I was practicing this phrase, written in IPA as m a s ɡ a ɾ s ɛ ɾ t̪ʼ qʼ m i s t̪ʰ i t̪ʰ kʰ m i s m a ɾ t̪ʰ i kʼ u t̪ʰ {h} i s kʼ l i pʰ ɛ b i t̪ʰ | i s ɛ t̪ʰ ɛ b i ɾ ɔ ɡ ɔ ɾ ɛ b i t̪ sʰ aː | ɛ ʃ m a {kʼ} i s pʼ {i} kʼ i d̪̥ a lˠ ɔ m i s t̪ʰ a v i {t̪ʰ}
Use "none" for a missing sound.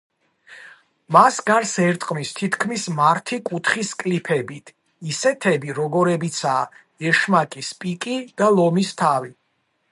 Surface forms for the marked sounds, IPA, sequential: χ, kʼ, i, none

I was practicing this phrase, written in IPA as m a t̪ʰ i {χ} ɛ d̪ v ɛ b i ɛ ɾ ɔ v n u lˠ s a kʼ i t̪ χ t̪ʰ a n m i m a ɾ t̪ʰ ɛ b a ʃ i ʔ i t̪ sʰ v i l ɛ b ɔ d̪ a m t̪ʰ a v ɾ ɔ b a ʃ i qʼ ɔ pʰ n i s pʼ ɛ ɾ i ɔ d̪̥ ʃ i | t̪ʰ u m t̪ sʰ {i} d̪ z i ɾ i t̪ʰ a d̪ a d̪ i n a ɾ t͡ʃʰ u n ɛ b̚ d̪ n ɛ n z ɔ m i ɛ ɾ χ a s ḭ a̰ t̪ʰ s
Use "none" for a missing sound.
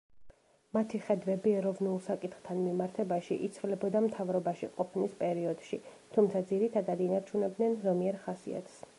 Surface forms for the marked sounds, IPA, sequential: χ, a

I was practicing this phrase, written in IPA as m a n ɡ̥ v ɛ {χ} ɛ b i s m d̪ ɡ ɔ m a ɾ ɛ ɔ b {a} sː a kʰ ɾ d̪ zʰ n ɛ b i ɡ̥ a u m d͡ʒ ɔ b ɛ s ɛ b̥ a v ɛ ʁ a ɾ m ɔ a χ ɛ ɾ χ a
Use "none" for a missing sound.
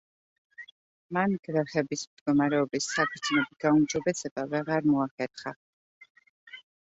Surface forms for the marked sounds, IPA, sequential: χ, i

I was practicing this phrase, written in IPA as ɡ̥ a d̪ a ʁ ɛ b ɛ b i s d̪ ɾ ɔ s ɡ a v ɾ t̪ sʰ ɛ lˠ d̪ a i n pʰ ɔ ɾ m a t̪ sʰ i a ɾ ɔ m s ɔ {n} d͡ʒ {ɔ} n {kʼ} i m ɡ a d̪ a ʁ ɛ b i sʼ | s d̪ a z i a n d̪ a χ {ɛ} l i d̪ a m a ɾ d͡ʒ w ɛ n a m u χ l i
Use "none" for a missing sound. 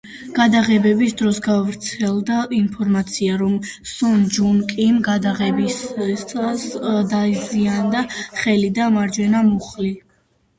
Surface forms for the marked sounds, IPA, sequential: n, u, kʼ, ɛ

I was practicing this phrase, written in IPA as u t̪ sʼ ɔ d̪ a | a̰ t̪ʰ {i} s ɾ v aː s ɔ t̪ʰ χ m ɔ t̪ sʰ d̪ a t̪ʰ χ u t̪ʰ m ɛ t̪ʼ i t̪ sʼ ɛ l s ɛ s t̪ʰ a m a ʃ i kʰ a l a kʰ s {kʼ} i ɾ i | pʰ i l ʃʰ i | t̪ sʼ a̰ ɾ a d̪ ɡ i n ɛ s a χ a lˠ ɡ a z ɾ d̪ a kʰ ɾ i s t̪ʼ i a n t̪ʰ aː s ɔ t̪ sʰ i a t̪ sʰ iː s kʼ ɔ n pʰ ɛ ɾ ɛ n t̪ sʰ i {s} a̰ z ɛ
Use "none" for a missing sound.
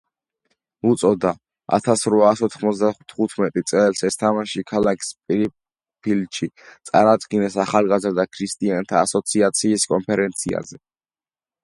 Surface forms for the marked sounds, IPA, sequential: a, pʼ, none

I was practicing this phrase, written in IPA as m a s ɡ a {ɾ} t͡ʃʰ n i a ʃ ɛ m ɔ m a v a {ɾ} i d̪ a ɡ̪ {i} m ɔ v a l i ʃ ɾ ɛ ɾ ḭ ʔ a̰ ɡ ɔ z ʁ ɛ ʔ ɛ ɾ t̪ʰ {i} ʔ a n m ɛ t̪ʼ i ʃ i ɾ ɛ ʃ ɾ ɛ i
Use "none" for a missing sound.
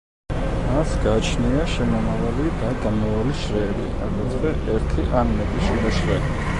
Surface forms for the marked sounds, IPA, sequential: none, l, a, i

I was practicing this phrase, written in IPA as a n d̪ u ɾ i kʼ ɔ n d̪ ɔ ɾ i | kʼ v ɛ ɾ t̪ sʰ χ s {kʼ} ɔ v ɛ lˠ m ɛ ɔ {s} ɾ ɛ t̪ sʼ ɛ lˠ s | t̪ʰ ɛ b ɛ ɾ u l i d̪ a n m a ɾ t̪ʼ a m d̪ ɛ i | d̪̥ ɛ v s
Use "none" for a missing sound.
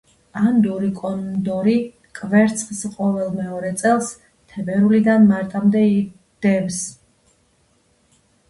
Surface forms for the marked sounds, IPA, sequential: qʼ, none

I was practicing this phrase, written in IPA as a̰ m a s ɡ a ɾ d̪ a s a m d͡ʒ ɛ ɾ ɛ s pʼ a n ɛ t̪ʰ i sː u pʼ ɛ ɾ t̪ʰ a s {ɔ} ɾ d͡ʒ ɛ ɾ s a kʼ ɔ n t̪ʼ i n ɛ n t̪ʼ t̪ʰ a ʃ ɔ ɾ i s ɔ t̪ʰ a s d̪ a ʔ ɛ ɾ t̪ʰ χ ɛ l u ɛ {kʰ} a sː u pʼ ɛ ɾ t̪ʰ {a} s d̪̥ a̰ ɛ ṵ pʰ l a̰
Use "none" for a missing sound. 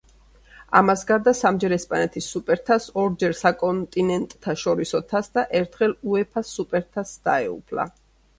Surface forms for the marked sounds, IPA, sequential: ɔ, pʰ, a

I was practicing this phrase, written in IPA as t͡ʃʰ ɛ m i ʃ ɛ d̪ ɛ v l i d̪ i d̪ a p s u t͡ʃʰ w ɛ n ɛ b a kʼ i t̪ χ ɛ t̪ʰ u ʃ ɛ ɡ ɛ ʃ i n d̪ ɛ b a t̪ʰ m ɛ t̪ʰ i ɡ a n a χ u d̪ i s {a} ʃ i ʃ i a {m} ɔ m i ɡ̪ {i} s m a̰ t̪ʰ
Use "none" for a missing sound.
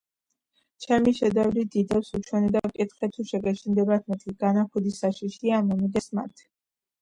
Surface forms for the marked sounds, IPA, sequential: a, m, ɛ

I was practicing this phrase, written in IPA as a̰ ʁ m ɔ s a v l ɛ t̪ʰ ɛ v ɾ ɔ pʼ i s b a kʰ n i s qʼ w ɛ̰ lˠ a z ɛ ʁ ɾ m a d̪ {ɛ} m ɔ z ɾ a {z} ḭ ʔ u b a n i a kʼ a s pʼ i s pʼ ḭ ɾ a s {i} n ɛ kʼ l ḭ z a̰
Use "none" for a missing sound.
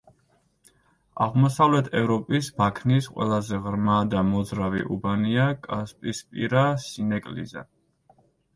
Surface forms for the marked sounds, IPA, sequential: a, v, i

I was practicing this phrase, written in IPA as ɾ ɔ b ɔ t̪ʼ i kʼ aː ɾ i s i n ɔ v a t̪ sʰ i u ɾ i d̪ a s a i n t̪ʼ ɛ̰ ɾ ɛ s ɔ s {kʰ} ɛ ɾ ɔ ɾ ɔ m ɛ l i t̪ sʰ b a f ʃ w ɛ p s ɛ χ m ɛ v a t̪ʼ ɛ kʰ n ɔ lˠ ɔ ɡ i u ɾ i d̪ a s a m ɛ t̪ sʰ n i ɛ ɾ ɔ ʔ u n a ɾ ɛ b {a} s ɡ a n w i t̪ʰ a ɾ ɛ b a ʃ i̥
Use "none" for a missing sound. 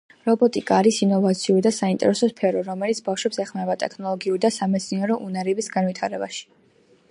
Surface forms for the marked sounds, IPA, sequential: pʰ, i

